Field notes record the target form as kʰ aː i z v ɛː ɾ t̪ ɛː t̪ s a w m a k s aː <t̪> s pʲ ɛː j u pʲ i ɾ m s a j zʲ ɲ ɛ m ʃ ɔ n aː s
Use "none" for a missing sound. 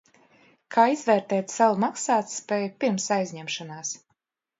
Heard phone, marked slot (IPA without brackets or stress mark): t̪